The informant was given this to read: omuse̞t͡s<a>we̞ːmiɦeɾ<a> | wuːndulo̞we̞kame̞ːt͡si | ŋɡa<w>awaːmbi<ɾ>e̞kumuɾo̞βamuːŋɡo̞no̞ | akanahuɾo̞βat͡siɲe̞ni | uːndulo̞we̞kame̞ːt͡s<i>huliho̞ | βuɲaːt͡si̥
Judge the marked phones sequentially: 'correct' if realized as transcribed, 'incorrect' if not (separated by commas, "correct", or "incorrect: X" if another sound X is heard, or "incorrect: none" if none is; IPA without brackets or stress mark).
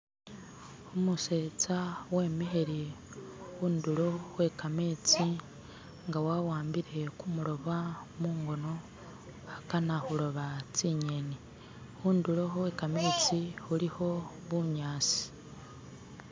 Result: correct, incorrect: i, correct, correct, correct